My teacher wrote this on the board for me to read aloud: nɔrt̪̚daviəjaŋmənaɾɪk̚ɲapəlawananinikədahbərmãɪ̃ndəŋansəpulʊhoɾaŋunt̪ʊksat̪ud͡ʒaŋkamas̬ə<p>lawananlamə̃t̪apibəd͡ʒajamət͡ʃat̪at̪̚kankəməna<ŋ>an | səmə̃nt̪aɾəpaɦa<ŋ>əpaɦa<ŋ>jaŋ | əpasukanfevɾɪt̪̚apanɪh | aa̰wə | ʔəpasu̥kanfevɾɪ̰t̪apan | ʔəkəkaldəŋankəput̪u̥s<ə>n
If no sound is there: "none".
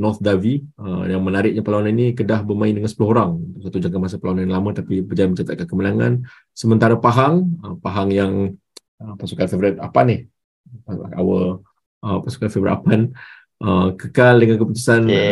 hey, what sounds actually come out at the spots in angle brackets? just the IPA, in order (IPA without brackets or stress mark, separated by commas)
p, ŋ, ŋ, ŋ, a